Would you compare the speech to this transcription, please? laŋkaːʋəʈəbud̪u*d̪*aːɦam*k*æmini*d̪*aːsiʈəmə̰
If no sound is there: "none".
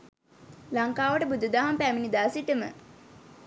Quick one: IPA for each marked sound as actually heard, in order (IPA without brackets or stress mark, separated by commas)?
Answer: d̪, p, d̪